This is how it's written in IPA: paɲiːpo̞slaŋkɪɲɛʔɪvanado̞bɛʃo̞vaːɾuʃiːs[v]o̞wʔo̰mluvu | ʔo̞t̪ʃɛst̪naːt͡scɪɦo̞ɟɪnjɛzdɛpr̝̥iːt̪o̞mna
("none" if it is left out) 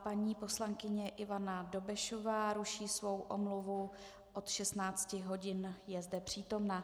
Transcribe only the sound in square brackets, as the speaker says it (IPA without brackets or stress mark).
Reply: v